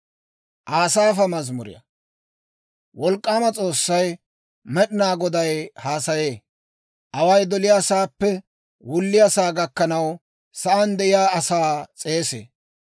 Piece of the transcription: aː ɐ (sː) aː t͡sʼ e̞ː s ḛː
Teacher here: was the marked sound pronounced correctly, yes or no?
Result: no